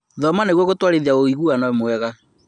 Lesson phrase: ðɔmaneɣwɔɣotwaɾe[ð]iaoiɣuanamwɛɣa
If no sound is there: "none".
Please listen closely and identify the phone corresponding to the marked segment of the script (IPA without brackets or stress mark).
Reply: ð